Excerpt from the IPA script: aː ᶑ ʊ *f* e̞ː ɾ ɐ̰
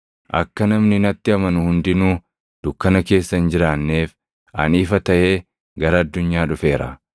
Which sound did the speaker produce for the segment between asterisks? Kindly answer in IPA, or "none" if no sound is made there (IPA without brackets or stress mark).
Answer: f